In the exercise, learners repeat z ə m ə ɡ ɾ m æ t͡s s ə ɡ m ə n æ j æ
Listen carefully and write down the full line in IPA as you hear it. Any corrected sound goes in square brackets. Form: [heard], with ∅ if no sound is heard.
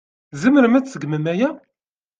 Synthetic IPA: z ə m ə [∅] ɾ m æ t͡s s ə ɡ m ə [m] æ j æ

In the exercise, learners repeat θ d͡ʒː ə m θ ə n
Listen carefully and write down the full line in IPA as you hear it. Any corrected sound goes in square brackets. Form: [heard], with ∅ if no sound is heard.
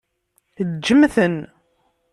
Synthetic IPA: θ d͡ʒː ə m θ ə n

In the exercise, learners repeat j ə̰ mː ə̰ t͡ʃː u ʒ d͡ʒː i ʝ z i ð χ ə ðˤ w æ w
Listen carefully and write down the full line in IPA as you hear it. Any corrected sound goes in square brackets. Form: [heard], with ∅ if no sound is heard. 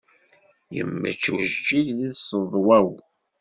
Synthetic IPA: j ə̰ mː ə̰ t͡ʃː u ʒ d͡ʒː i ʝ [ð] i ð [s] ə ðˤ w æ w

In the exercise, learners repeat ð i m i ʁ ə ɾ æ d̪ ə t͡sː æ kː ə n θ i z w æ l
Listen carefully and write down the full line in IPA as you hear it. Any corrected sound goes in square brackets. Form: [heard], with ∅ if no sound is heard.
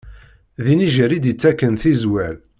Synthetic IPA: ð i [n] i [ʒ] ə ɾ [i] d̪ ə t͡sː æ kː ə n θ i z w æ l

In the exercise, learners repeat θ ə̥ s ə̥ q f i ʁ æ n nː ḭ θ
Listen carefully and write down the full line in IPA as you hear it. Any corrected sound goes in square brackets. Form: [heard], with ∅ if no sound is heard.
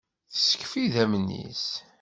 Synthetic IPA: θ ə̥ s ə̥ [k] f i [ð] æ [m] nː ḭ [s]

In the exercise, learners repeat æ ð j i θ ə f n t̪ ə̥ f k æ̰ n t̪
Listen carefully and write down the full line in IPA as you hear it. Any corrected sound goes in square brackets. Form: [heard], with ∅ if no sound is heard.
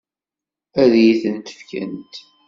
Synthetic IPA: æ ð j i θ ə [∅] n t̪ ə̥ f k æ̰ n t̪

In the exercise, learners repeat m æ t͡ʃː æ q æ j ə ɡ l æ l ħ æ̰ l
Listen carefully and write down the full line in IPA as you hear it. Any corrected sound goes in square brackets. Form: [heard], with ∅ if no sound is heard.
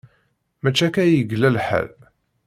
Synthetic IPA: m æ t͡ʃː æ [k] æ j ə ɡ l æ l ħ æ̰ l

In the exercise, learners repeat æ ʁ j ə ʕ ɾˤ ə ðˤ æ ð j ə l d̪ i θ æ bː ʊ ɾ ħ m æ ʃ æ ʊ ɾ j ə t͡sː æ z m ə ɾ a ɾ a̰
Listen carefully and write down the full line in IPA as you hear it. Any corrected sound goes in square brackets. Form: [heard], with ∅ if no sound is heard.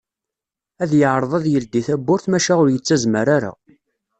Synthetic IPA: æ [ð] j ə ʕ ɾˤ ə ðˤ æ ð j ə l d̪ i θ æ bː ʊ ɾ [θ] m æ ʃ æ ʊ ɾ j ə t͡sː æ z m ə ɾ a ɾ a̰

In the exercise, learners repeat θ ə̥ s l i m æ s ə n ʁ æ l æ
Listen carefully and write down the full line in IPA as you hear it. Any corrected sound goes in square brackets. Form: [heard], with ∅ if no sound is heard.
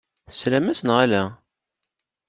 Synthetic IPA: θ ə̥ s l [æ] m æ s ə n ʁ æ l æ

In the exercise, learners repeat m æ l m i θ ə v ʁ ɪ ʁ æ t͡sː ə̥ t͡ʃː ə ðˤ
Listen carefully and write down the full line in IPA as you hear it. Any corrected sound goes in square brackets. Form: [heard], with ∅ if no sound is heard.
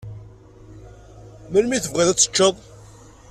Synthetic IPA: m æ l m i θ ə v ʁ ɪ [ð] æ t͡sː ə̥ t͡ʃː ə ðˤ

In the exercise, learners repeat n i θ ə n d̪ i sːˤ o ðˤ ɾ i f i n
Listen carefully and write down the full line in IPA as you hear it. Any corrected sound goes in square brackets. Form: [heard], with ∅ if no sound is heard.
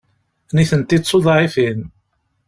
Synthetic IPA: n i θ ə n [t̪] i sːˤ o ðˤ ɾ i f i n

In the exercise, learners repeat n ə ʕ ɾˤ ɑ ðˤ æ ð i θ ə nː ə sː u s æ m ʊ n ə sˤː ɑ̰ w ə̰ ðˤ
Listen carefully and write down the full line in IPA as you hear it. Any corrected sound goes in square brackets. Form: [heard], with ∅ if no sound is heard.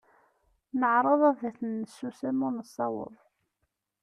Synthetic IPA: n ə ʕ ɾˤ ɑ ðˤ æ ð [æ] θ ə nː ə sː u s æ m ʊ n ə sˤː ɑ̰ w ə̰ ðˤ

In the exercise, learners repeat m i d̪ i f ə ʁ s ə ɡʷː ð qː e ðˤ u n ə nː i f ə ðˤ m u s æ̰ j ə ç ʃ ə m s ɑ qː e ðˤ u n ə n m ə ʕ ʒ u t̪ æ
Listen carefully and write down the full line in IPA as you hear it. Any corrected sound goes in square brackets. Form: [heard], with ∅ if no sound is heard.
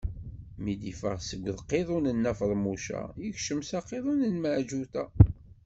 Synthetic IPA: m i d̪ i f ə ʁ s ə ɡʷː ð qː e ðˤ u n ə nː [æ] f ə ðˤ m u [ʃ] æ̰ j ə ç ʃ ə m s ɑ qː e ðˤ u n ə n m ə ʕ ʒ u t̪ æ

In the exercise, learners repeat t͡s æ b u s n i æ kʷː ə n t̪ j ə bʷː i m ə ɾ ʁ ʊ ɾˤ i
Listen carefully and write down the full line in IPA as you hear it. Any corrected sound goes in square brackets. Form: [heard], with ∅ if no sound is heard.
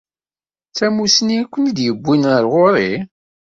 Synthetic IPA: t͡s æ [m] u s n i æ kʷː ə n [d̪] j ə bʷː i [n] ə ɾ ʁ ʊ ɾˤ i

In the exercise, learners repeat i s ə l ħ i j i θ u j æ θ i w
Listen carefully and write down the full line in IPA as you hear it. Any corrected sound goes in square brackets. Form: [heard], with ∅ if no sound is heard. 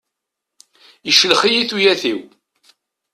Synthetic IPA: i [ʃ] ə l [χ] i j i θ u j æ θ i w

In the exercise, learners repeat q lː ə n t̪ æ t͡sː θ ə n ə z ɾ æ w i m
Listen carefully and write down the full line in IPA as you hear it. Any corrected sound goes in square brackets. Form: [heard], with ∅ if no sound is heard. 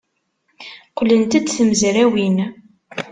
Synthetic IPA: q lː ə n t̪ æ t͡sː θ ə [m] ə z ɾ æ w i [n]

